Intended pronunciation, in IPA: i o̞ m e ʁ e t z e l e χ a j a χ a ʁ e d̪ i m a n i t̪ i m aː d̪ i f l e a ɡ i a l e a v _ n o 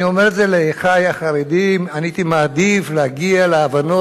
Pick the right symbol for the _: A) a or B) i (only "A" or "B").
A